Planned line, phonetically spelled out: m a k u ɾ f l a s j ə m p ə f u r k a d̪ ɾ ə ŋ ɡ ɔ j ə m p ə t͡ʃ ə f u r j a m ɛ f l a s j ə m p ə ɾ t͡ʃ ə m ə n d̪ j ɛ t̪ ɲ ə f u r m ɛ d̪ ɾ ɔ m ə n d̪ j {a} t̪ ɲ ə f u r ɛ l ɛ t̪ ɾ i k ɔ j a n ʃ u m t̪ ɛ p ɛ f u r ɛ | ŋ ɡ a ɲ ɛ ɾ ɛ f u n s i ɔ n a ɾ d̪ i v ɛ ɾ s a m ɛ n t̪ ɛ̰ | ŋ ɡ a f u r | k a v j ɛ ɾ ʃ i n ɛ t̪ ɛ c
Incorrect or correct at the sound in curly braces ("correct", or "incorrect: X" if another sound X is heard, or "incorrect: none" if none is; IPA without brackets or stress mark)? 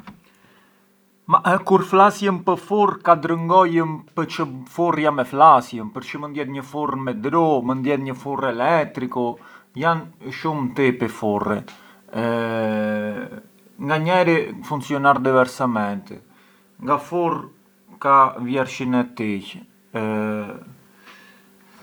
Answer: incorrect: ɛ